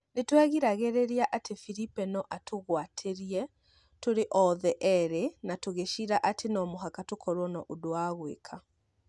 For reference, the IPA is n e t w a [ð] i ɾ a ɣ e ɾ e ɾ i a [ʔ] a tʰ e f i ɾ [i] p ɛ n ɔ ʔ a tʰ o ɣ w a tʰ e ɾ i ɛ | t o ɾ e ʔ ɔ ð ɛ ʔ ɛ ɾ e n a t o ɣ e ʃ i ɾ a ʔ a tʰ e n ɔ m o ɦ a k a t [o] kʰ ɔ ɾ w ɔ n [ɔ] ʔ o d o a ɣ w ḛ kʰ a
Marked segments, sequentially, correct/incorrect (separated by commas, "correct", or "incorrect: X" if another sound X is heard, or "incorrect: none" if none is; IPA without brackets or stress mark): incorrect: ɣ, correct, correct, correct, correct